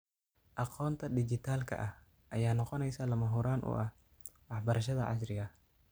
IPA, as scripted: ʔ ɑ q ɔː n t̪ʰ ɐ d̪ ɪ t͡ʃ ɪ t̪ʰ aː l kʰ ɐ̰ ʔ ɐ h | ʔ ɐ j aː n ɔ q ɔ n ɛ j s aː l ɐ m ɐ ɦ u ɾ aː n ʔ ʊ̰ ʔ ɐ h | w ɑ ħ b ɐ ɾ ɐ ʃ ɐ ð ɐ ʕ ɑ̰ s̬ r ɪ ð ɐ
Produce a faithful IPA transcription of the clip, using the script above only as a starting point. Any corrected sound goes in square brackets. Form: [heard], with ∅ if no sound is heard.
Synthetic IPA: ʔ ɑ q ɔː n t̪ʰ ɐ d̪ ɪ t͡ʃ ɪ t̪ʰ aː l kʰ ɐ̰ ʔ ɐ h | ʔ ɐ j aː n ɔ q ɔ n ɛ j s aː l ɐ m ɐ ɦ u ɾ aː n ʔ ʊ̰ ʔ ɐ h | w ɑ ħ b ɐ ɾ ɐ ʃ ɐ ð ɐ ʕ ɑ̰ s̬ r ɪ [ɣ] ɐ

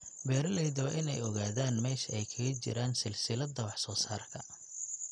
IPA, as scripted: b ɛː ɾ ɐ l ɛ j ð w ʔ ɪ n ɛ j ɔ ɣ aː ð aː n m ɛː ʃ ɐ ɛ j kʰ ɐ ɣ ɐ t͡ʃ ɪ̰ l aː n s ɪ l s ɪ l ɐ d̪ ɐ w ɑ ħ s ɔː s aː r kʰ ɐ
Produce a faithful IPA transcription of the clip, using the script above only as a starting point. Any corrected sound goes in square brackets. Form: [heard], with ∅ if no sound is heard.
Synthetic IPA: b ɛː ɾ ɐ l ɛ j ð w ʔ ɪ n ɛ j ɔ ɣ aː ð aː n m ɛː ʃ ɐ ɛ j kʰ ɐ ɣ ɐ t͡ʃ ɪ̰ [ɾ] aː n s ɪ l s ɪ l ɐ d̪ ɐ w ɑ ħ s ɔː s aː r kʰ ɐ

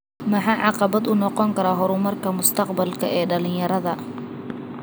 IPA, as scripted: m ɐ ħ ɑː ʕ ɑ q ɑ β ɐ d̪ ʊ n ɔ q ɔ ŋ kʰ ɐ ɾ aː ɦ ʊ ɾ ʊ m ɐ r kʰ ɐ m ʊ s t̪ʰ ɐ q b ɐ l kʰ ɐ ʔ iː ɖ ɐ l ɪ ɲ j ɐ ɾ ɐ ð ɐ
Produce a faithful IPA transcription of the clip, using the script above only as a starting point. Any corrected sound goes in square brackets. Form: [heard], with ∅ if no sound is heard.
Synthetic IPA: m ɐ ħ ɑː ʕ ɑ q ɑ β ɐ d̪ ʊ n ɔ q ɔ ŋ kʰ ɐ ɾ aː ɦ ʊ ɾ ʊ m ɐ r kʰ ɐ m ʊ s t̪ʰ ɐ q b ɐ l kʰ ɐ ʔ [ɛː] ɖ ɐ l ɪ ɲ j ɐ ɾ ɐ ð ɐ

